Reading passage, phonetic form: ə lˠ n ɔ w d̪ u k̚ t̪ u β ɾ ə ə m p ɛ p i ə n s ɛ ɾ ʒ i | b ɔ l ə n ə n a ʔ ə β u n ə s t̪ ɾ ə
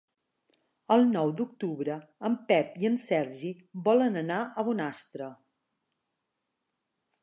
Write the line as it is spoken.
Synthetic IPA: ə lˠ n ɔ w d̪ u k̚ t̪ u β ɾ ə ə m p ɛ p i ə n s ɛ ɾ ʒ i | b ɔ l ə n ə n a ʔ ə β u n a s t̪ ɾ ə

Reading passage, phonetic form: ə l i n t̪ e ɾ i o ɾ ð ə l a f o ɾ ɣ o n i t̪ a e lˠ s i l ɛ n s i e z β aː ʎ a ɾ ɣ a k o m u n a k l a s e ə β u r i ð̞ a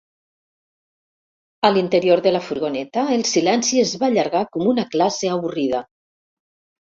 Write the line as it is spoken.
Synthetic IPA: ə l i n t̪ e ɾ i o ɾ ð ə l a f u ɾ ɣ o n ɛ t̪ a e lˠ s i l ɛ n s i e z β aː ʎ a ɾ ɣ a k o m u n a k l a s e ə β u r i ð̞ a

